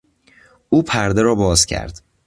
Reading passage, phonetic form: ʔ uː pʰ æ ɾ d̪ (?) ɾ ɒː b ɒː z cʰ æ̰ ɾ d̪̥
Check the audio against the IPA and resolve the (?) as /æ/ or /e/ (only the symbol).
e